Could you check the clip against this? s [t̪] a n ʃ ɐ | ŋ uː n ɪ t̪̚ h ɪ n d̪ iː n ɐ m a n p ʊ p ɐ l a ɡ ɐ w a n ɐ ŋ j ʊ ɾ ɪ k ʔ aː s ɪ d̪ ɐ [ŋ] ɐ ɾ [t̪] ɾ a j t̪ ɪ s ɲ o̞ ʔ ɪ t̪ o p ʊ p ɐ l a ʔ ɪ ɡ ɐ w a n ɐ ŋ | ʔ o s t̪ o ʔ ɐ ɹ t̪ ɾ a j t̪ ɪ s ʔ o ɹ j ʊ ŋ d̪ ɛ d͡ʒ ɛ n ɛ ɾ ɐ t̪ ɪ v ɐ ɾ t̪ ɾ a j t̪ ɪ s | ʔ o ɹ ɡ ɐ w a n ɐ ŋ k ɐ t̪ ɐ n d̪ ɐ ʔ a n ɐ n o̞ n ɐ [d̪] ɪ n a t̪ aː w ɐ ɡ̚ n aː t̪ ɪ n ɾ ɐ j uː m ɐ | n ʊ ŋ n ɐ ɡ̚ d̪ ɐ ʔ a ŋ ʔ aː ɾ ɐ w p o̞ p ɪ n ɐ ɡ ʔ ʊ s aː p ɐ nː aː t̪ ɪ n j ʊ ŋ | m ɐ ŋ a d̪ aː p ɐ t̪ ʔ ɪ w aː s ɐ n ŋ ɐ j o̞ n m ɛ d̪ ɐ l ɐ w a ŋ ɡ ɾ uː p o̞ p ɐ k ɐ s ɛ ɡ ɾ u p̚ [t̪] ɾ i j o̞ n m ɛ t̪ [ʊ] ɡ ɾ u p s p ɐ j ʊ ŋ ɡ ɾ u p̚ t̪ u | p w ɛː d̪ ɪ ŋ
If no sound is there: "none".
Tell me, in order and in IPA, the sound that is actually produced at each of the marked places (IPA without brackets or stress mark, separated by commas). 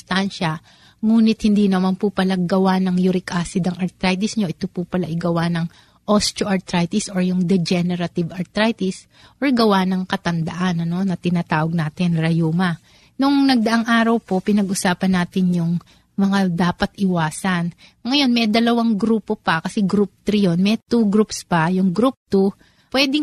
t̪, ŋ, t̪, t̪, t̪, u